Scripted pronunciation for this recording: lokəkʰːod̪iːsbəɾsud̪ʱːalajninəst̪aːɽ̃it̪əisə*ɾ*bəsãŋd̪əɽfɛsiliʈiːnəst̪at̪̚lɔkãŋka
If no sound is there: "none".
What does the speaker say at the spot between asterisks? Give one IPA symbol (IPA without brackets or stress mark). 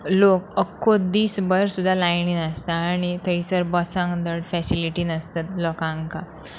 ɾ